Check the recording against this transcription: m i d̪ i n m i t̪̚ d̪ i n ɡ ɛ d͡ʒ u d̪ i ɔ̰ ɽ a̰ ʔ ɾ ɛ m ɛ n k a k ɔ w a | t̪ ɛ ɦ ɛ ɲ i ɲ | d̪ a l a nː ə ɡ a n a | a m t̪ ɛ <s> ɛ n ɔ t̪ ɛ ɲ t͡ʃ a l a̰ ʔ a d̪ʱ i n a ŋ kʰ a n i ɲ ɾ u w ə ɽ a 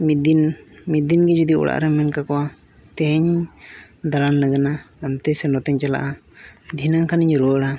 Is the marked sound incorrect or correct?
correct